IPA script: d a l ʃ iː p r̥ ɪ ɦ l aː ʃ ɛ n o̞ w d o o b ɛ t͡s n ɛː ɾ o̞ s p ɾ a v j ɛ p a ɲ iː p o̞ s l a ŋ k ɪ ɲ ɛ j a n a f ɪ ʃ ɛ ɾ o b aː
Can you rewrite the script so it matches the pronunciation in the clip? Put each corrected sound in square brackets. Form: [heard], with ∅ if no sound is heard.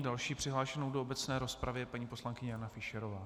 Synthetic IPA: d a l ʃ iː p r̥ ɪ ɦ l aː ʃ ɛ n o̞ w d o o b ɛ t͡s n ɛː ɾ o̞ s p ɾ a v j ɛ p a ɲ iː p o̞ s l a ŋ k ɪ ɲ ɛ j a n a f ɪ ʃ ɛ ɾ o [v] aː